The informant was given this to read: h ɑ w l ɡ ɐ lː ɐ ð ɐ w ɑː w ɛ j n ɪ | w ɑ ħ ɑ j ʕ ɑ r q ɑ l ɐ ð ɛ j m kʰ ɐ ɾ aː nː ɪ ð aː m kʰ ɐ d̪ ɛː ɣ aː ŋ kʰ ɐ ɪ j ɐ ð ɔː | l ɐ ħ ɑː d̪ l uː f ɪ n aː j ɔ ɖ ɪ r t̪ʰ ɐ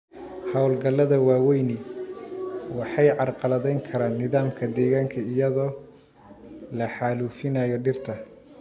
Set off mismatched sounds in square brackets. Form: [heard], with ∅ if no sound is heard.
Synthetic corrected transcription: h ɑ w l ɡ ɐ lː ɐ ð ɐ w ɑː w ɛ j n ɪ | w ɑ ħ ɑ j ʕ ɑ r q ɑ l ɐ ð ɛ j [ŋ] kʰ ɐ ɾ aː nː ɪ ð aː m kʰ ɐ d̪ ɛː ɣ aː ŋ kʰ ɐ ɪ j ɐ ð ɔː | l ɐ ħ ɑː [∅] l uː f ɪ n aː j ɔ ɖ ɪ r t̪ʰ ɐ